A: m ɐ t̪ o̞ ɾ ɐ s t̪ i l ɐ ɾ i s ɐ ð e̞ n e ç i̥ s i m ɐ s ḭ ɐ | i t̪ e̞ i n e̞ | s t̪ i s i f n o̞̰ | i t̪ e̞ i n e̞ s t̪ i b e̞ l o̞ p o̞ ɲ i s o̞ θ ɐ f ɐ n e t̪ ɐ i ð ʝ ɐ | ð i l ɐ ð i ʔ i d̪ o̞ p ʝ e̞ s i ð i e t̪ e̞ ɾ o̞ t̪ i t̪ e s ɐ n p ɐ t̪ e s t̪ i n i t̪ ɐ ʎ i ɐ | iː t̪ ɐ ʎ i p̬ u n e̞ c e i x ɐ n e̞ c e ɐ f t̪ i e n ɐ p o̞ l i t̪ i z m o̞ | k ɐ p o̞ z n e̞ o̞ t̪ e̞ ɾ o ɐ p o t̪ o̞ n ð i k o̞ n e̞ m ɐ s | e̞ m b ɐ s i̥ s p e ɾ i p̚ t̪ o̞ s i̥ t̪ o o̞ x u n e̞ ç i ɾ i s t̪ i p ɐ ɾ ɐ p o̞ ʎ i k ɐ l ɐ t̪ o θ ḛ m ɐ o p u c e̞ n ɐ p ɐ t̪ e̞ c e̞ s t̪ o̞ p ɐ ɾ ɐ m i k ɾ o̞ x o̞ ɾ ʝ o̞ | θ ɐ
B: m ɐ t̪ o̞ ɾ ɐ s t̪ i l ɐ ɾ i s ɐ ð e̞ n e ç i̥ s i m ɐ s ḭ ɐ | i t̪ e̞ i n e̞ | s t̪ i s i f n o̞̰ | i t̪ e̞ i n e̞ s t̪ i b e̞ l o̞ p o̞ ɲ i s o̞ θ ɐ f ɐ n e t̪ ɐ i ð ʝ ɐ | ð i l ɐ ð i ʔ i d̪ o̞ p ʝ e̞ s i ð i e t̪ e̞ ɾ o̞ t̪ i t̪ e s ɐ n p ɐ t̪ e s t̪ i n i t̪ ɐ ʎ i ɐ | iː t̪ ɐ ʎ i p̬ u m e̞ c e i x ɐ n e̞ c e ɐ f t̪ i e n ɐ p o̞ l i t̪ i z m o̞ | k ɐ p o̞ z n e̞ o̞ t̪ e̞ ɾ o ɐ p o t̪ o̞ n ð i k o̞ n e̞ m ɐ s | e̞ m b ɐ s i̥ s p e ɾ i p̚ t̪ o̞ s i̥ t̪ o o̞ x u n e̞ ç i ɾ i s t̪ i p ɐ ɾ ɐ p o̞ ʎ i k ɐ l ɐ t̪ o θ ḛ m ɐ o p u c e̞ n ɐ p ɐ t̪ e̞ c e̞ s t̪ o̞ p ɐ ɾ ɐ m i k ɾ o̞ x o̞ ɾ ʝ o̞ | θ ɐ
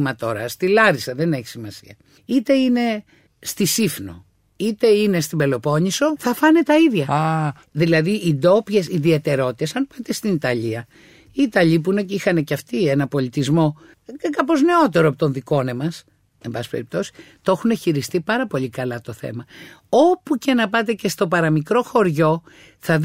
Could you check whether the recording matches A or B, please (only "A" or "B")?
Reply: A